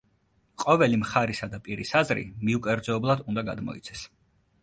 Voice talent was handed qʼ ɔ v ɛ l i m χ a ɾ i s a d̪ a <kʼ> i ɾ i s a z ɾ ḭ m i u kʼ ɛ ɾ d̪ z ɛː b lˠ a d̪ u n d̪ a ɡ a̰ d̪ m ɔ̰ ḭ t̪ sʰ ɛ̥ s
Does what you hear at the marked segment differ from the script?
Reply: yes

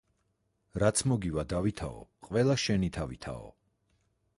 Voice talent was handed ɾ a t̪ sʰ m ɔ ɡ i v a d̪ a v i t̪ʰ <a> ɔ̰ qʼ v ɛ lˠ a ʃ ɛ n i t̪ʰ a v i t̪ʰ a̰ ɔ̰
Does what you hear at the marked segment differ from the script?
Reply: no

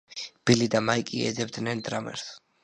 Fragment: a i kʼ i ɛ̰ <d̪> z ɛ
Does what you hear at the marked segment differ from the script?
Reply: no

